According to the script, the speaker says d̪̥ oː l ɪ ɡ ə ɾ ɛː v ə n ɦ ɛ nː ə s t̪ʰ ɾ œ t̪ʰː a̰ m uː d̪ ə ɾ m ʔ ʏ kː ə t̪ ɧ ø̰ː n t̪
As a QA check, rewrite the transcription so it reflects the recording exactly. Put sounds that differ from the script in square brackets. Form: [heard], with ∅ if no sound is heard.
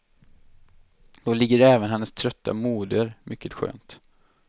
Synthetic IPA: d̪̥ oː l ɪ [ɡː] ə ɾ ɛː v ə n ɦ ɛ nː ə s t̪ʰ ɾ œ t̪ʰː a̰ m uː d̪ ə ɾ m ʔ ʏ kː ə t̪ ɧ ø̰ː n t̪

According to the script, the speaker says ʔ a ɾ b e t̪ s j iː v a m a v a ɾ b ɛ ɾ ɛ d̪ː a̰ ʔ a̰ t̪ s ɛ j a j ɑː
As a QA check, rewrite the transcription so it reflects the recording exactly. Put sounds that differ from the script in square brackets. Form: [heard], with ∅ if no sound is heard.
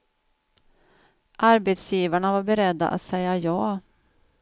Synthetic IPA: ʔ a ɾ b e t̪ s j iː v a [ɳ] a v a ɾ b ɛ ɾ ɛ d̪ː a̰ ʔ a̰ t̪ s ɛ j a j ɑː

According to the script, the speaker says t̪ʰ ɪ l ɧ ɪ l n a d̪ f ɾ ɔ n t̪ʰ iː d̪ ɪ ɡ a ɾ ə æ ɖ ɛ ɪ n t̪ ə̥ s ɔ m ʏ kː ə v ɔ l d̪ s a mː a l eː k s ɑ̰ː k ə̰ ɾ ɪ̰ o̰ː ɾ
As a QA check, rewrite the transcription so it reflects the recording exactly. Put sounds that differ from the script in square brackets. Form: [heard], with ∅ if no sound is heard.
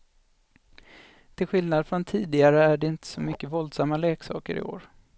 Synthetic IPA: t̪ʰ ɪ l ɧ ɪ l n a d̪ f ɾ ɔ n t̪ʰ iː d̪ ɪ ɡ a ɾ ə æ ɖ ɛ ɪ n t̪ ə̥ s ɔ m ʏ kː ə v ɔ l d̪ s a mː a l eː k s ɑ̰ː k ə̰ ɾ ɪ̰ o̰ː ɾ

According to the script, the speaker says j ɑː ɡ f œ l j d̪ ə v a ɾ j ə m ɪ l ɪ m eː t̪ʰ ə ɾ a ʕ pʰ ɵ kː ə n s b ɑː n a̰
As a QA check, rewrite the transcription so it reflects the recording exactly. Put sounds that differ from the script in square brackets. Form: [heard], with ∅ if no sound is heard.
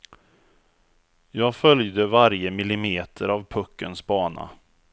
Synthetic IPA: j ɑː ɡ f œ l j d̪ ə v a ɾ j ə m ɪ l ɪ m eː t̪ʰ ə ɾ a [v] pʰ ɵ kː ə n s b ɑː n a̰

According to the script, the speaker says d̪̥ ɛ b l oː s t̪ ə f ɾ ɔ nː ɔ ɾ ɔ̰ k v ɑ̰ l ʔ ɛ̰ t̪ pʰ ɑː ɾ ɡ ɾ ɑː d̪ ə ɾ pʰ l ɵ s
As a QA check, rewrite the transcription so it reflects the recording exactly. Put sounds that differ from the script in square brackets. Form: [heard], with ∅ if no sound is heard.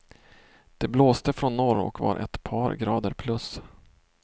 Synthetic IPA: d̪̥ ɛ b l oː s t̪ ə f ɾ ɔ nː ɔ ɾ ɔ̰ k v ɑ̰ [ɾ] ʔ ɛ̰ t̪ pʰ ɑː ɾ ɡ ɾ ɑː d̪ ə ɾ pʰ l ɵ s

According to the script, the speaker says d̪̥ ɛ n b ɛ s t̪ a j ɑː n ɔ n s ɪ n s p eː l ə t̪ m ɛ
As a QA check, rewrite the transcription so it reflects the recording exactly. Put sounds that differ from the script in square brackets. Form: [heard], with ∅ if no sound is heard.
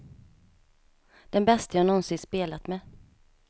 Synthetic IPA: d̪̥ ɛ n b ɛ s t̪ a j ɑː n ɔ n s ɪ n s p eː l [a] t̪ m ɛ

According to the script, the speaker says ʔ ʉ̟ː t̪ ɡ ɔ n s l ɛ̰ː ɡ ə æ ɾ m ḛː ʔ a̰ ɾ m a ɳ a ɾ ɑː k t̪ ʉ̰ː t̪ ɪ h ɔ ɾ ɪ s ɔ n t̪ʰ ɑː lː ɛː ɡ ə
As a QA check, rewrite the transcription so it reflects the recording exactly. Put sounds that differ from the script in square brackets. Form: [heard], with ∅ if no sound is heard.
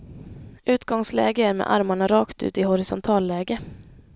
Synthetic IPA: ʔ ʉ̟ː t̪ ɡ ɔ [ŋ] s l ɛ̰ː ɡ ə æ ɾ m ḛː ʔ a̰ ɾ m a ɳ a ɾ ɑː k t̪ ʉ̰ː t̪ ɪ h ɔ ɾ ɪ s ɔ n t̪ʰ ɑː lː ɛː ɡ ə

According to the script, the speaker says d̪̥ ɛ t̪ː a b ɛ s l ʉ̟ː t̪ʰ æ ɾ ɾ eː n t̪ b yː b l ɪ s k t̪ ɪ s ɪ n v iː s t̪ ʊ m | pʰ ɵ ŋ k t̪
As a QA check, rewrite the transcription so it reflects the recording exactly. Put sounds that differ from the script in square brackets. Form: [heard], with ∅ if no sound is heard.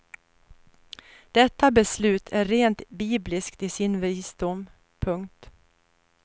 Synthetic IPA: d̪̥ ɛ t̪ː a b ɛ s l ʉ̟ː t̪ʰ æ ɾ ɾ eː n t̪ b [iː] b l ɪ s k t̪ ɪ s ɪ n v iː s [d̪] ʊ m | pʰ ɵ ŋ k t̪

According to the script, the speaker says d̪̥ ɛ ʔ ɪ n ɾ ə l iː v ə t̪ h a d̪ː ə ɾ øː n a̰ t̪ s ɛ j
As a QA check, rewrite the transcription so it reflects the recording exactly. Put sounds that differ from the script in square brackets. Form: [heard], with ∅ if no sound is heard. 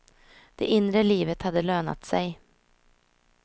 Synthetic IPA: d̪̥ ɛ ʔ ɪ n ɾ ə l iː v ə t̪ h a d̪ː ə [l] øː n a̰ t̪ s ɛ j

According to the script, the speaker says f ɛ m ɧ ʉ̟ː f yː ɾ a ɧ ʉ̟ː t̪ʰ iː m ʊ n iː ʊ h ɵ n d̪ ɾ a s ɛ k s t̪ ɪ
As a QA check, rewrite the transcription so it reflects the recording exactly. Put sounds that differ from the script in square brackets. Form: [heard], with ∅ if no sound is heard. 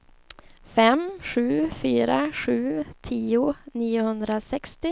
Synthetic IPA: f ɛ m ɧ ʉ̟ː f yː ɾ a ɧ ʉ̟ː t̪ʰ iː [∅] ʊ n iː ʊ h ɵ n d̪ ɾ a s ɛ k s t̪ ɪ

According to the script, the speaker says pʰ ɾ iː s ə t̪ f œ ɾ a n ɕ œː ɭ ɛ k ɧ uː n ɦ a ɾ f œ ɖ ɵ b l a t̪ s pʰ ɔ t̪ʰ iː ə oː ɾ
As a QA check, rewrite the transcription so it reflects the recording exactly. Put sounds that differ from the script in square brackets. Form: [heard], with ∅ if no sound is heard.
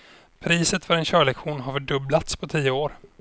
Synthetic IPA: pʰ ɾ iː s ə t̪ f œ ɾ [ɛ] n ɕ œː ɭ ɛ k ɧ uː n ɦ a ɾ f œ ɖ ɵ b l a t̪ s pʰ ɔ t̪ʰ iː ə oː ɾ

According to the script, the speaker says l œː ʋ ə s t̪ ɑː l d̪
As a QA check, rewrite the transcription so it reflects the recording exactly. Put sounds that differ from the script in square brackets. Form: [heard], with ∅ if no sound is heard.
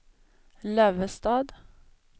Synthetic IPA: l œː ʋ ə s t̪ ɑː [∅] d̪

